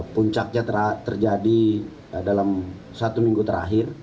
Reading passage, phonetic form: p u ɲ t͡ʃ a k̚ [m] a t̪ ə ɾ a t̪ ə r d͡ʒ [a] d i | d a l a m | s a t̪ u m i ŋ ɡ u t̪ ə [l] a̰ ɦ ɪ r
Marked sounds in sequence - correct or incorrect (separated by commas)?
incorrect, correct, incorrect